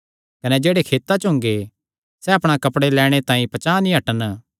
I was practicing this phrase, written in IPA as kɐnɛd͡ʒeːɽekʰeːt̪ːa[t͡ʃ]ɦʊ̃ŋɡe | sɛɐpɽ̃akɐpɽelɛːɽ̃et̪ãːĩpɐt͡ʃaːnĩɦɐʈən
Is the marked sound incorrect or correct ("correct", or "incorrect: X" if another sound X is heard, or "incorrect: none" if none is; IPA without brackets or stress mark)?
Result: correct